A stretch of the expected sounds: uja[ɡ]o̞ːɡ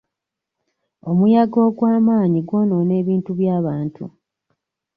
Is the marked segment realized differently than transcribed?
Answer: no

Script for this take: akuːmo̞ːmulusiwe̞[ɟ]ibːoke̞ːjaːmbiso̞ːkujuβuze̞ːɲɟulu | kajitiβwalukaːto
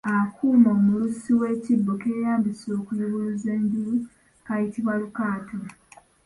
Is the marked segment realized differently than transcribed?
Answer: yes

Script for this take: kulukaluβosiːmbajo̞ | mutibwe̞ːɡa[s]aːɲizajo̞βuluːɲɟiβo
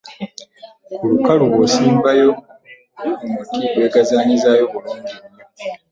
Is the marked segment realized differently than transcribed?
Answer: yes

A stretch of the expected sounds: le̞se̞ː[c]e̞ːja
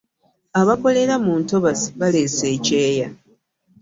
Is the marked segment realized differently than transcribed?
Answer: no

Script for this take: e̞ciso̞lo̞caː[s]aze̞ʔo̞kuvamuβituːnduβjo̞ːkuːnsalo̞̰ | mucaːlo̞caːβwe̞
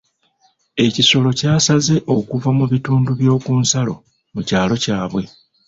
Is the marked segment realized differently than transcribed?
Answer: no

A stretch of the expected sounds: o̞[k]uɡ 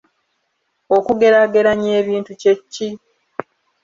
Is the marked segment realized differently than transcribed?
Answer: no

